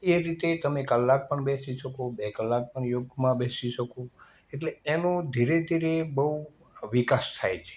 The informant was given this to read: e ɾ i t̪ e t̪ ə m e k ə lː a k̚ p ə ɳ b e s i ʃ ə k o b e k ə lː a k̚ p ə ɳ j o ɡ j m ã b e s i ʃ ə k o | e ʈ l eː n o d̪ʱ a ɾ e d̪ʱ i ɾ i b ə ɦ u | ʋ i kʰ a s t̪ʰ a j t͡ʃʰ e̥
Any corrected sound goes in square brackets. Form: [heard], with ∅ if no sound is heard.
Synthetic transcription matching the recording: e ɾ i t̪ e t̪ ə m e k ə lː a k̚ p ə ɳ b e s i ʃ ə k o b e k ə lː a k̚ p ə ɳ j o ɡ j m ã b e s i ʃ ə k o | e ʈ l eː n o d̪ʱ [i] ɾ e d̪ʱ i ɾ [e] b ə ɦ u | ʋ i [k] a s t̪ʰ a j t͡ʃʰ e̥